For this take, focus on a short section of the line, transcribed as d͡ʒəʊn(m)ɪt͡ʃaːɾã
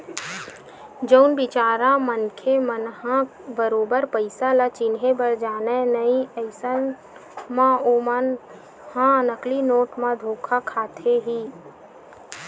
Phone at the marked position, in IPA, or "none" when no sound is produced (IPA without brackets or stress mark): b